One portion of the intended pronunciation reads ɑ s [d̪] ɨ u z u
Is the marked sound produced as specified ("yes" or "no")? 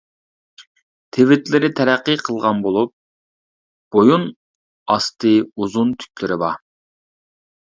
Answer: no